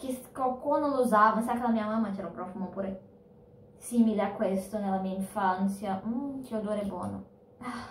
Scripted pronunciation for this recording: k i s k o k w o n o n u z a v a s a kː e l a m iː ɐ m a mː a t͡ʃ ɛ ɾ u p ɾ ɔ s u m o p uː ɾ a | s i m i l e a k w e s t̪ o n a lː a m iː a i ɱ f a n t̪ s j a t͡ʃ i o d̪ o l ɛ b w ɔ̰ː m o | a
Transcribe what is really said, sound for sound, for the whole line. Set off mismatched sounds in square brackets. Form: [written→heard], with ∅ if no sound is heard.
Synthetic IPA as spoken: k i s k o k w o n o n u z a v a s a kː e l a m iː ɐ m a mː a t͡ʃ ɛ ɾ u p ɾ ɔ [s→f] u m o p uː ɾ [a→e] | s i m i l e a k w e s t̪ o n [a→e] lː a m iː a i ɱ f a n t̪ s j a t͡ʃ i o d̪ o [l→ɾ] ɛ b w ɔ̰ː [m→n] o | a